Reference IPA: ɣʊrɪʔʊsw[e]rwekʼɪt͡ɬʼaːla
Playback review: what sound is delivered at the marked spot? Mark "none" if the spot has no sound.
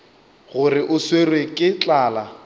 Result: e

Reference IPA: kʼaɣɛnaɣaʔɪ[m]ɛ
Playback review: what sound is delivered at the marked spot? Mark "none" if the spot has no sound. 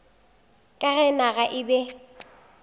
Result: b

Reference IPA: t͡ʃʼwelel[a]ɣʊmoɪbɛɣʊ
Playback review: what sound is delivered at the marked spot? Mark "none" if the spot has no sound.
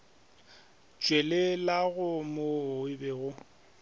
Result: a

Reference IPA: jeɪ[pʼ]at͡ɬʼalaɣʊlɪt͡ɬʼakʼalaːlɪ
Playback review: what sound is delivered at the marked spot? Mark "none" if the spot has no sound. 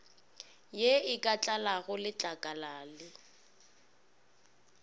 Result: kʼ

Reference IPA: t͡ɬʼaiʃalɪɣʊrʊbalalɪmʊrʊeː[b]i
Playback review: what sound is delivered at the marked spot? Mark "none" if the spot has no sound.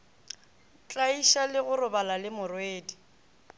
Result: d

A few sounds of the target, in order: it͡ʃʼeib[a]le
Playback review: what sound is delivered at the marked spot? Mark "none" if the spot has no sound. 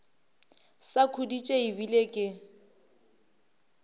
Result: i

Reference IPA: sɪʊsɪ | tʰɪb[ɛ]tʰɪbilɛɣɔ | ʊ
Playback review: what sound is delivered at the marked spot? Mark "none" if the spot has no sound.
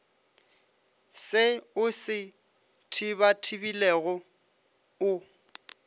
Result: a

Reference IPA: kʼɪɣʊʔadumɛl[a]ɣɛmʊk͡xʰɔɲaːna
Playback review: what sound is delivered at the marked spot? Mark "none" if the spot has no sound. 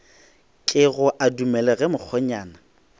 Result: ɛ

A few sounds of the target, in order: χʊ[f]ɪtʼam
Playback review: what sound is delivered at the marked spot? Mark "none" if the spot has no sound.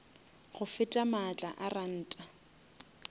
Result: f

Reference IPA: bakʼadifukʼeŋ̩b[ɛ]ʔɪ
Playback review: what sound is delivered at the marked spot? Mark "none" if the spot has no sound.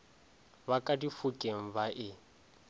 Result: a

